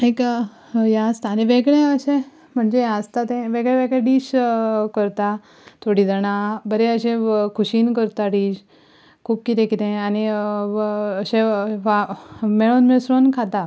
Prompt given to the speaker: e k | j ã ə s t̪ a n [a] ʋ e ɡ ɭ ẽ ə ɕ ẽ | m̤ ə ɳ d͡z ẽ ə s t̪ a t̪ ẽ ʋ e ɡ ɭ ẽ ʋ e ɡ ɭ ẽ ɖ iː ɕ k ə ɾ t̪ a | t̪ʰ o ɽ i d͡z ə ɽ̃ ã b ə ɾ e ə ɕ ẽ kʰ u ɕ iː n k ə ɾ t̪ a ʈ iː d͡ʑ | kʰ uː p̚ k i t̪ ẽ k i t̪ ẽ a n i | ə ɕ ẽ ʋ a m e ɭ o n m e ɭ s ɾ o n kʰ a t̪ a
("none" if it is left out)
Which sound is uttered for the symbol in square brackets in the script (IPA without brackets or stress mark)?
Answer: i